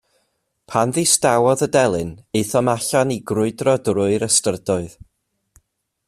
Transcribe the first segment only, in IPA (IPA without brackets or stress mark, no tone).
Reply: pʰ